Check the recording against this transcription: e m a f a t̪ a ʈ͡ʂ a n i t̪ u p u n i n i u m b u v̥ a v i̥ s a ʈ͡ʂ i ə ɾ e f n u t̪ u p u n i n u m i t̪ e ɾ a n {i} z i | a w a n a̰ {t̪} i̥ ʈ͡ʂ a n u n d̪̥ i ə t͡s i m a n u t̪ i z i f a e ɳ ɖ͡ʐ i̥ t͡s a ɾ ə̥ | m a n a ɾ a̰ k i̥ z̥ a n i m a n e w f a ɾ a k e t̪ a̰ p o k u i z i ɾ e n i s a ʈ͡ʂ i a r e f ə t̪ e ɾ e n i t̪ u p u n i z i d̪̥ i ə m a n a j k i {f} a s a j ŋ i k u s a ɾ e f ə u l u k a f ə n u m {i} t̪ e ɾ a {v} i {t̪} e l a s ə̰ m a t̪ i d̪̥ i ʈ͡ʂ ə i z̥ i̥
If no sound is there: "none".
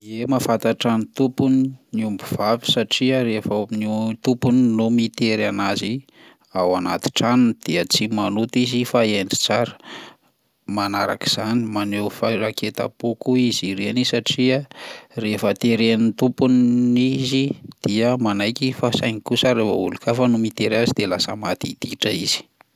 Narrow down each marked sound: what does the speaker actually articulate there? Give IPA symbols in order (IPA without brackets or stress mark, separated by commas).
a, t̪, f, i, z, d̪